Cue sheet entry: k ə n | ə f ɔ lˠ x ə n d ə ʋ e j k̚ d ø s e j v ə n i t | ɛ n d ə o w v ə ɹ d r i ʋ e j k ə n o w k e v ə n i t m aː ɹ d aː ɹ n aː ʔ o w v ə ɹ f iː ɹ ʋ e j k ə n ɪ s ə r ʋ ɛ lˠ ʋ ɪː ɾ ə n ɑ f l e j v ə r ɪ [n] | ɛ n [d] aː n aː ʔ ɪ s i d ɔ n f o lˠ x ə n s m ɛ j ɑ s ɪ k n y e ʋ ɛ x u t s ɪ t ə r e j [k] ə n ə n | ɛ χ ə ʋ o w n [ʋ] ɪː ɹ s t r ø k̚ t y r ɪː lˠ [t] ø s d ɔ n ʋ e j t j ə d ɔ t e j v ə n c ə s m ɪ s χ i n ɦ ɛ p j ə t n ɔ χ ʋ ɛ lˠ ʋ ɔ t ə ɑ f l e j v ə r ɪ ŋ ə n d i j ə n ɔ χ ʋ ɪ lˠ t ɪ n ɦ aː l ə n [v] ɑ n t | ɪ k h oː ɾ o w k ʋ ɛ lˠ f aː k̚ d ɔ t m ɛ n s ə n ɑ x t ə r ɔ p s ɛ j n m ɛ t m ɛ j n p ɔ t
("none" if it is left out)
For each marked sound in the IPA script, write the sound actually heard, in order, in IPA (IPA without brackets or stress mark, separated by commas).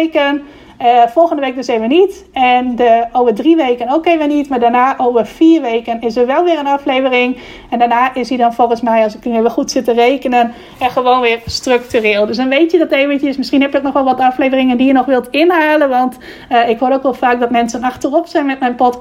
ŋ, d, k, ʋ, d, ʋ